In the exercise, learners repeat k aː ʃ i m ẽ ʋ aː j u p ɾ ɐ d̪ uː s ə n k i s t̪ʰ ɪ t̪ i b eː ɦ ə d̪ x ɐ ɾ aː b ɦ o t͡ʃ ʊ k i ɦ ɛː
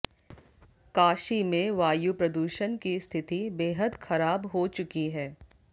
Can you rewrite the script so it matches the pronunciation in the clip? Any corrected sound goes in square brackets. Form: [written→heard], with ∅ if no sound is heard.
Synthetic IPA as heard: k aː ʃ i m ẽ ʋ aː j u p ɾ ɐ d̪ uː [s→ʃ] ə n k i s t̪ʰ ɪ t̪ i b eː ɦ ə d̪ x ɐ ɾ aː b ɦ o t͡ʃ ʊ k i ɦ ɛː

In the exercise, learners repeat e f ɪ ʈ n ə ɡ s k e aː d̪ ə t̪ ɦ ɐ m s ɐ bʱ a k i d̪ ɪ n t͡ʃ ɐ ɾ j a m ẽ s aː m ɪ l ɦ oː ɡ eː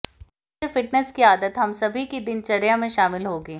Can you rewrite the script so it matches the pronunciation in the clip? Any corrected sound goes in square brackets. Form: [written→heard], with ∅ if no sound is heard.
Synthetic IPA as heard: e f ɪ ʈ n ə [ɡ→∅] s k [e→i] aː d̪ ə t̪ ɦ ɐ m s ɐ bʱ [a→i] k i d̪ ɪ n t͡ʃ ɐ ɾ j a m ẽ [s→ʃ] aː m ɪ l ɦ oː ɡ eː

